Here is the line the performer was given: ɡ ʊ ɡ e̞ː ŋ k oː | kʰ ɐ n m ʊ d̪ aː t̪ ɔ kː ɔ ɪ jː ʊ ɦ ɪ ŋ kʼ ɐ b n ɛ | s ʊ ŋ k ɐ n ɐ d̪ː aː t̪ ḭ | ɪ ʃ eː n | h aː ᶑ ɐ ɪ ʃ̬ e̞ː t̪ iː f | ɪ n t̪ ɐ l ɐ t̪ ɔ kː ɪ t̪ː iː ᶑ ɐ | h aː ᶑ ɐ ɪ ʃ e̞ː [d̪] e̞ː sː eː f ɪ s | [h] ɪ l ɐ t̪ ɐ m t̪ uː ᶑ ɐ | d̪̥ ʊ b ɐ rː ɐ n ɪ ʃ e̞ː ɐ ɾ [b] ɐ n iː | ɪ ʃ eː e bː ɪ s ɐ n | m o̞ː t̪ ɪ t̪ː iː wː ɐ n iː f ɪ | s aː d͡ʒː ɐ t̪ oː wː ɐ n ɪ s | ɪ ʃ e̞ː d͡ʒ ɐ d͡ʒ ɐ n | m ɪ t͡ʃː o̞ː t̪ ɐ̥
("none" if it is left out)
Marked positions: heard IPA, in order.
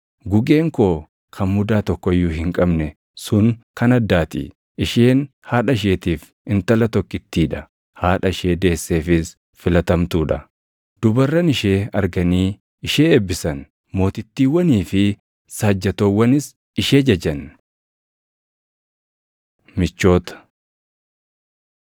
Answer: d̪, f, ɡ

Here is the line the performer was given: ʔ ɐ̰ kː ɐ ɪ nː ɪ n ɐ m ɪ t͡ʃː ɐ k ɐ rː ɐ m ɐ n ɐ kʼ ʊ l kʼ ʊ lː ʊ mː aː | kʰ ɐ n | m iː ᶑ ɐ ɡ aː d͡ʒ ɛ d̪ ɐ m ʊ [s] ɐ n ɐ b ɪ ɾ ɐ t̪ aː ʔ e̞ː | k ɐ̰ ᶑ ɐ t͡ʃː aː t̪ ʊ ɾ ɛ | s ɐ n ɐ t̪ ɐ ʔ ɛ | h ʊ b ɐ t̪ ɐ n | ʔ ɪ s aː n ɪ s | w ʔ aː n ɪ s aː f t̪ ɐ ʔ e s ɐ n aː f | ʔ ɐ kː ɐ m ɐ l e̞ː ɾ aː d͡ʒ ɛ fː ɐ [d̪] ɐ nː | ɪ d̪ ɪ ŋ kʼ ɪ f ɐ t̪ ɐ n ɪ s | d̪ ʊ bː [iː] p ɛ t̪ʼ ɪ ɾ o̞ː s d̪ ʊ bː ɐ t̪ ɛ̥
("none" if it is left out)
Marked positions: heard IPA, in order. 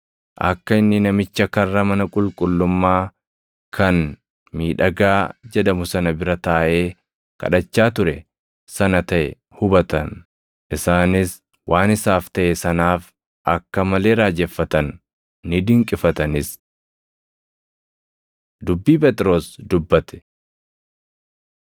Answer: s, t̪, iː

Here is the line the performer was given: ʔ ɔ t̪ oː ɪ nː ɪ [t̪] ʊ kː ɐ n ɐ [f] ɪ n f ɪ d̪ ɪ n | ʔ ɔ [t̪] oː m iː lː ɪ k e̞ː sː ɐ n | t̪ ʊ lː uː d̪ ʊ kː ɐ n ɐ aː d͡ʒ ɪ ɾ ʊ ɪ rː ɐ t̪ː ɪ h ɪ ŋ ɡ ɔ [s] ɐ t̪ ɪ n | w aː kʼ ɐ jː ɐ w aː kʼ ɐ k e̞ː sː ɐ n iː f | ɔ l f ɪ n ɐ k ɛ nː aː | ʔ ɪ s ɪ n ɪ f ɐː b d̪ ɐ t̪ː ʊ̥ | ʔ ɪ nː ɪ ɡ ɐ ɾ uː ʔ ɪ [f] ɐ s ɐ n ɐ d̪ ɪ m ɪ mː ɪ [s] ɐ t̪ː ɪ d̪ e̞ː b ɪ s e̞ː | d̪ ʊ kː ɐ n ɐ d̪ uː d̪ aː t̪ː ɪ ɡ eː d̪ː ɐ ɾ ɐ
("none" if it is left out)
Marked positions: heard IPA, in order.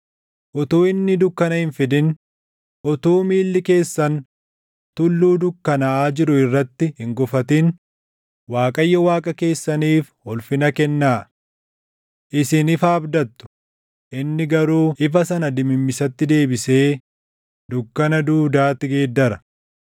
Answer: d̪, h, t̪, f, f, s

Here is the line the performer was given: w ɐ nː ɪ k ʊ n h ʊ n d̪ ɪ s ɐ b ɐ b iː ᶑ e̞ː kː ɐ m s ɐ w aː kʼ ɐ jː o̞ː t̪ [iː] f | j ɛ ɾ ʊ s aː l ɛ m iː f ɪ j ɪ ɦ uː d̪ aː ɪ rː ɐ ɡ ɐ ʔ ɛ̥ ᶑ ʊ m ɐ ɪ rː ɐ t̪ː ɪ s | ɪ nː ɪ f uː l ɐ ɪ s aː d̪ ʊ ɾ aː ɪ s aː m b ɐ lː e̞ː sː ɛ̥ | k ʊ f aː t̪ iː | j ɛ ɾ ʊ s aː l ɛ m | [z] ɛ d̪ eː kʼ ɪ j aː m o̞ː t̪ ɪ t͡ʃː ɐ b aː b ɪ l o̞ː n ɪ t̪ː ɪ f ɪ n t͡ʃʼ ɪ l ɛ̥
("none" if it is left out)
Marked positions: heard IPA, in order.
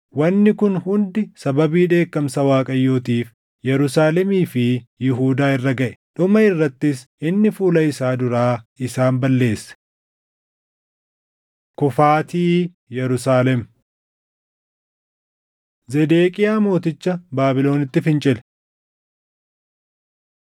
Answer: iː, z

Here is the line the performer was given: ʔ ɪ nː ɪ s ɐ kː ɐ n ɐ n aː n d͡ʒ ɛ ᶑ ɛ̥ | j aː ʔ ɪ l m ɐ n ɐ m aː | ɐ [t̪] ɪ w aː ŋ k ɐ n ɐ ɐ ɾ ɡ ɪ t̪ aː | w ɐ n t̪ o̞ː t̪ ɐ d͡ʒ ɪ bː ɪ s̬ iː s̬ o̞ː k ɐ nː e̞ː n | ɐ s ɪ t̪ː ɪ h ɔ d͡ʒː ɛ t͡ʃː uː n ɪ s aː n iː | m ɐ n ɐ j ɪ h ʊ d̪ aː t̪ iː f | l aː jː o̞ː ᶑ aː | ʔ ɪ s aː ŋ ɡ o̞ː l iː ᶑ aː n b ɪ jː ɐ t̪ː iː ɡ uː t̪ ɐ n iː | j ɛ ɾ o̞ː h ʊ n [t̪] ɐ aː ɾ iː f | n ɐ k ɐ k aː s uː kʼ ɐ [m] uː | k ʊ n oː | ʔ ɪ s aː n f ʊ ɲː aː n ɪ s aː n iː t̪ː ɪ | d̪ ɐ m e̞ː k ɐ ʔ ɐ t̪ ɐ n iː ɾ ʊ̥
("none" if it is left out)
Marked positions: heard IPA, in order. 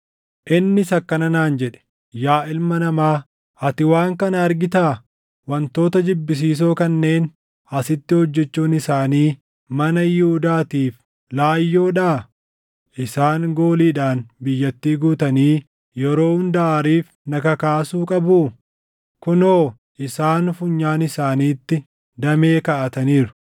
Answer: t̪, d̪, b

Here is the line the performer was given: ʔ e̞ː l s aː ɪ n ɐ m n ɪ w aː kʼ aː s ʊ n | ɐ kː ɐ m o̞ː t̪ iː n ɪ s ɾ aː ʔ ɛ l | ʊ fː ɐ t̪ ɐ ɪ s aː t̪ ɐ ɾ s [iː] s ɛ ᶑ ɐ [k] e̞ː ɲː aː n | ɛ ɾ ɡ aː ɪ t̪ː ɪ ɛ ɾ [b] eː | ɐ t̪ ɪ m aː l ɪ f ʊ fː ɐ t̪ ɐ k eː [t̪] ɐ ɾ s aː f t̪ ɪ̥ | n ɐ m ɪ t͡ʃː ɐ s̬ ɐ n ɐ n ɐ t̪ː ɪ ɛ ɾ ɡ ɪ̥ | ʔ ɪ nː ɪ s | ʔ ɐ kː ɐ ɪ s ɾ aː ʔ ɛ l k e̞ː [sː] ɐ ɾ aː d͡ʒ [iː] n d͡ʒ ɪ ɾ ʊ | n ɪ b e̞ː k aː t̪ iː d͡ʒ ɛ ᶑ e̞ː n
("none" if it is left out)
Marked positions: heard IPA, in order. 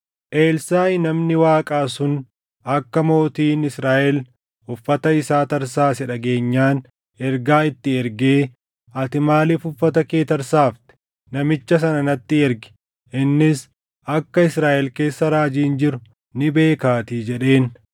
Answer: aː, ɡ, ɡ, t̪, sː, iː

